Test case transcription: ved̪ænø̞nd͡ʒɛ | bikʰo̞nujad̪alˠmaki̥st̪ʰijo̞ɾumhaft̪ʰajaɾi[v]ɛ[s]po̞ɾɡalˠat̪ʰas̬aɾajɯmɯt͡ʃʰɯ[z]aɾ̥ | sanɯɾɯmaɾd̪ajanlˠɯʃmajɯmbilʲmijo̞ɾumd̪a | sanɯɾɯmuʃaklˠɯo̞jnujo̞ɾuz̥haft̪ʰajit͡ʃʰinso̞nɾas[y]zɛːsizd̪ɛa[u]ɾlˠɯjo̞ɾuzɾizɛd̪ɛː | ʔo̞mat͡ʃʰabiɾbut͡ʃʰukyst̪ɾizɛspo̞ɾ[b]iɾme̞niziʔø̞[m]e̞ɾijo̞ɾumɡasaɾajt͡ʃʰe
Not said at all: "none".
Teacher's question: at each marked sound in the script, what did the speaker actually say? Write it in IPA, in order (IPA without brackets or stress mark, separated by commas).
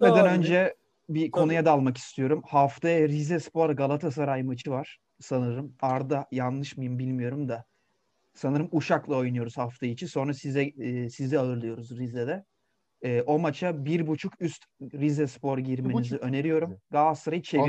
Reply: z, s, v, i, ɯ, ɟ, n